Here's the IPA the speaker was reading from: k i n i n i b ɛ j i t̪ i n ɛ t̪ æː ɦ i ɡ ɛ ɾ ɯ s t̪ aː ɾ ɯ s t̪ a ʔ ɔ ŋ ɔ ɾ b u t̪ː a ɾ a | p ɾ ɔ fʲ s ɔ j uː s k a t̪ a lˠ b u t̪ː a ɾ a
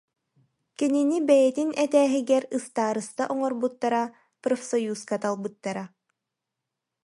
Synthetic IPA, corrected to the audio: k i n i n i b ɛ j ɛ t̪ i n ɛ t̪ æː ɦ i ɡ ɛ ɾ ɯ s t̪ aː ɾ ɯ s t̪ a ʔ ɔ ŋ ɔ ɾ b u t̪ː a ɾ a | p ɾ ɔ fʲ s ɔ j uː s k a t̪ a lˠ b ɯ t̪ː a ɾ a

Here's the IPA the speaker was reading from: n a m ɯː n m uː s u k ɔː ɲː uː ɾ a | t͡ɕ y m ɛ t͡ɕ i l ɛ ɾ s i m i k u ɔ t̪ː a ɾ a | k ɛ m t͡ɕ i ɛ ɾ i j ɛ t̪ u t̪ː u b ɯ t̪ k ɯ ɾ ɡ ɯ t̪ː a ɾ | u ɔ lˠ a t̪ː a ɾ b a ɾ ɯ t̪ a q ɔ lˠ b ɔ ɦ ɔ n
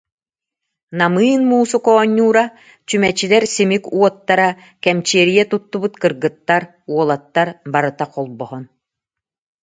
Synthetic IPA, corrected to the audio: n a m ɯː n m uː s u k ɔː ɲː uː ɾ a | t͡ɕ y m ɛ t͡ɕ i l ɛ ɾ s i m i k u ɔ t̪ː a ɾ a | k ɛ m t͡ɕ i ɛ ɾ i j ɛ t̪ u t̪ː u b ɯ t̪ k ɯ ɾ ɡ ɯ t̪ː a ɾ | u ɔ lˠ a t̪ː a ɾ b a ɾ ɯ t̪ a q ɔ lˠ b ɔ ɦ ɔ n

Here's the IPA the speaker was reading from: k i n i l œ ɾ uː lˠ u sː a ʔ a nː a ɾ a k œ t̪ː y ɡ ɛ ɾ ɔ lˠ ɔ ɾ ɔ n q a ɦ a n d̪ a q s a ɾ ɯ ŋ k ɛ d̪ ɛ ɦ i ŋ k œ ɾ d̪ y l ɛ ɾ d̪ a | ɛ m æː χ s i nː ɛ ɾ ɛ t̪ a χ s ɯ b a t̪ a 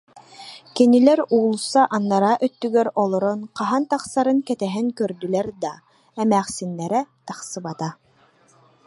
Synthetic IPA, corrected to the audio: k i n i l ɛ ɾ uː lˠ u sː a ʔ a nː a ɾ a ʔ œ t̪ː y ɡ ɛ ɾ ɔ lˠ ɔ ɾ ɔ n q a ɦ a n t̪ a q s a ɾ ɯ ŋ k ɛ t̪ ɛ ɦ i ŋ k œ ɾ d̪ y l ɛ ɾ d̪ a | ɛ m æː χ s i nː ɛ ɾ ɛ t̪ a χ s ɯ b a t̪ a

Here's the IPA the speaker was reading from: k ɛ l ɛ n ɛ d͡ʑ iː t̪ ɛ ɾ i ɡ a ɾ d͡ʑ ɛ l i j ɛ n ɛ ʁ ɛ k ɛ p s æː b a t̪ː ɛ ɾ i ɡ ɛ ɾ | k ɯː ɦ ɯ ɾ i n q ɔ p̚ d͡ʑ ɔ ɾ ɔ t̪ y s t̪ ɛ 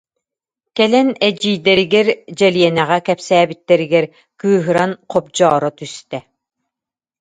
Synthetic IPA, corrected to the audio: k ɛ l ɛ n ɛ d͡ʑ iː d̪ ɛ ɾ i ɡ ɛ ɾ d͡ʑ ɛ l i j ɛ n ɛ ʁ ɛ k ɛ p s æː b i t̪ː ɛ ɾ i ɡ ɛ ɾ | k ɯː ɦ ɯ ɾ a n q ɔ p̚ d͡ʑ ɔː ɾ ɔ t̪ y s t̪ ɛ

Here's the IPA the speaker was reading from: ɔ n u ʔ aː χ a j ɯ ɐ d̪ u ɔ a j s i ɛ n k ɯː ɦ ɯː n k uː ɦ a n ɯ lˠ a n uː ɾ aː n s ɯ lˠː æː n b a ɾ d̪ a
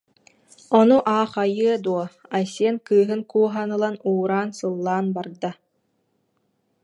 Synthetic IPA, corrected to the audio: ɔ n u ʔ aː χ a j ɯ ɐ d̪ u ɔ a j s i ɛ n k ɯː ɦ ɯ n k uː ɦ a n ɯ lˠ a n uː ɾ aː n s ɯ lˠː aː n b a ɾ d̪ a

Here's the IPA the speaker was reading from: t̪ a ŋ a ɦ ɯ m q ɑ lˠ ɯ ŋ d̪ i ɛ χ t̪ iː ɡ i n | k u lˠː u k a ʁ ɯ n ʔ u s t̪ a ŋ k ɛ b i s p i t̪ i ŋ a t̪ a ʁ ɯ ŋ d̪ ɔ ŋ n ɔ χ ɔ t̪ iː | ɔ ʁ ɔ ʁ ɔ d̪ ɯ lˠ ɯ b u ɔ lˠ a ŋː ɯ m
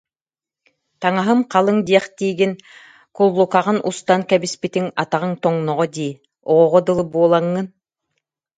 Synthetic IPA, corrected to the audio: t̪ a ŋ a ɦ ɯ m q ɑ lˠ ɯ ŋ d̪ i ɛ χ t̪ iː ɡ i n | k u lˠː u k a ʁ ɯ n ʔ u s t̪ a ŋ k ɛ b i s p i t̪ i ŋ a t̪ a ʁ ɯ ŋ t̪ ɔ ŋ n ɔ ʁ ɔ d̪ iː | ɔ ʁ ɔ ʁ ɔ d̪ ɯ lˠ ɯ b u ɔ lˠ a ŋː ɯ n

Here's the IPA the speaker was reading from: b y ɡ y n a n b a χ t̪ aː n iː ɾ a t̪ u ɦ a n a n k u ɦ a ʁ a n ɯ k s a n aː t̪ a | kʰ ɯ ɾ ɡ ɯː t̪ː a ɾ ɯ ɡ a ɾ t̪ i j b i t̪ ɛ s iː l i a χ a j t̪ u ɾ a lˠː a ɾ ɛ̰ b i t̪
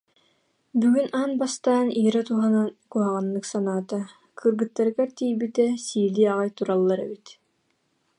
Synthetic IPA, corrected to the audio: b y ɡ y n a n b a s t̪ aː n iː ɾ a t̪ u ɦ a n a n k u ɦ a ʁ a nː ɯ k s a n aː t̪ a | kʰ ɯ ɾ ɡ ɯ t̪ː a ɾ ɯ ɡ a ɾ t̪ i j b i t̪ ɛ s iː l i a ʁ a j t̪ u ɾ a lˠː a ɾ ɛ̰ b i t̪

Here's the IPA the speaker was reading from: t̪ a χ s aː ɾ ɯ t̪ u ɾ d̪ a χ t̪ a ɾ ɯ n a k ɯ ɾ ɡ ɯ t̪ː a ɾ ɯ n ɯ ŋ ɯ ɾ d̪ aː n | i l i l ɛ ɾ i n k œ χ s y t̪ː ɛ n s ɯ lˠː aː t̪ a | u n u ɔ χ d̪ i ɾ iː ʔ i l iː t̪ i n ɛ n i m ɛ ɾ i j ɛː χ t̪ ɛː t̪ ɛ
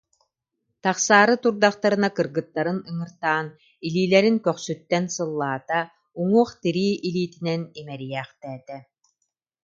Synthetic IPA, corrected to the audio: t̪ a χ s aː ɾ ɯ t̪ u ɾ d̪ a χ t̪ a ɾ ɯ n a k ɯ ɾ ɡ ɯ t̪ː a ɾ ɯ n ɯ ŋ ɯ ɾ t̪ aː n | i l iː l ɛ ɾ i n k œ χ s y t̪ː ɛ n s ɯ lˠː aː t̪ a | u ŋ u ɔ χ t̪ i ɾ iː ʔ i l iː t̪ i n ɛ n i m ɛ ɾ i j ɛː χ t̪ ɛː t̪ ɛ

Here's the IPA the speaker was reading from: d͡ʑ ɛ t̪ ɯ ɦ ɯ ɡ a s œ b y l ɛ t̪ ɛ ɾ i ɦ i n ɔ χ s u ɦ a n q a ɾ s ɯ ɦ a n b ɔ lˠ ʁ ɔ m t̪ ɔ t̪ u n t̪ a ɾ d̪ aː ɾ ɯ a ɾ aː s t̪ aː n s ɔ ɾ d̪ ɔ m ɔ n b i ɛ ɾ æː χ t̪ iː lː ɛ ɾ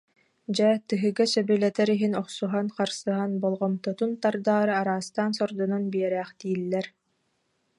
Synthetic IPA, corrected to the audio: d͡ʑ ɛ t̪ ɯ ɦ ɯ ɡ a s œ b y l ɛ t̪ ɛ ɾ i ɦ i n ɔ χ s u ɦ a n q a ɾ s ɯ ɦ a n b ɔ lˠ ʁ ɔ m t̪ ɔ t̪ u n t̪ a ɾ d̪ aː ɾ ɯ a ɾ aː s t̪ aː n s ɔ ɾ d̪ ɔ n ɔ n b i ɛ ɾ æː χ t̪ iː lː ɛ ɾ

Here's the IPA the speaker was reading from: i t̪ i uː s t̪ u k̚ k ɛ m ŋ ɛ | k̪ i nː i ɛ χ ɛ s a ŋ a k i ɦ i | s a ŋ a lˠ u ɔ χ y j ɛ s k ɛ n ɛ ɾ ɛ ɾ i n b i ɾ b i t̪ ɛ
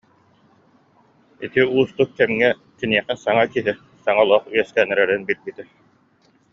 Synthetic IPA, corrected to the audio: i t̪ i uː s t̪ u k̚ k ɛ m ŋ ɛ | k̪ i n i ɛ χ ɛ s a ŋ a k i ɦ i | s a ŋ a lˠ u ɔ χ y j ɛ s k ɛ n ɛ ɾ ɛ ɾ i n b i l b i t̪ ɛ

